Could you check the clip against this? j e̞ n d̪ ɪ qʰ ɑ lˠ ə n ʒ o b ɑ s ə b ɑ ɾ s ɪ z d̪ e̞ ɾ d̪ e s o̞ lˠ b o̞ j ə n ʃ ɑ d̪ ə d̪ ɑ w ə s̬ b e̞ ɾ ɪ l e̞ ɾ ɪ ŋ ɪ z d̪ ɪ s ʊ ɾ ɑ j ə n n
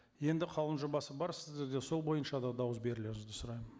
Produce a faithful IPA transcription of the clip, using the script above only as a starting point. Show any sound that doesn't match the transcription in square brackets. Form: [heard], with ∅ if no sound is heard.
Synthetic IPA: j e̞ n d̪ ɪ qʰ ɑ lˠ ə n ʒ o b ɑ s ə b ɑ ɾ s ɪ z d̪ e̞ ɾ d̪ e s o̞ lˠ b o̞ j ə n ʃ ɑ d̪ [ɑ] d̪ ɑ w ə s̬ b e̞ ɾ ɪ l e̞ ɾ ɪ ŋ ɪ z d̪ ɪ s ʊ ɾ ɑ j ə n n